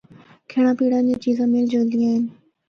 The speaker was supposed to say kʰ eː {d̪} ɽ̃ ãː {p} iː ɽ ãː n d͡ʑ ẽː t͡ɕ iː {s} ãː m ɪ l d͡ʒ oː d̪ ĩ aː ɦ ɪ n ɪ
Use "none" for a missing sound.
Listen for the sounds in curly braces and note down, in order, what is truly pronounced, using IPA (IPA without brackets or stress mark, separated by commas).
none, p, z